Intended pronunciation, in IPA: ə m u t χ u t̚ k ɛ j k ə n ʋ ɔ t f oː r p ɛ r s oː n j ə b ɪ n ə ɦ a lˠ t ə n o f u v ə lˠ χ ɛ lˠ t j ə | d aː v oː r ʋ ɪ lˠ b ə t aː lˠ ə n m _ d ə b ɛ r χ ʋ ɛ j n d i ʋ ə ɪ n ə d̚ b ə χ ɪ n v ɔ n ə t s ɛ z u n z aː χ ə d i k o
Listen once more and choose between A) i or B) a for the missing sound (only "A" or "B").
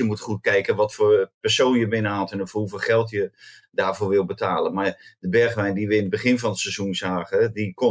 B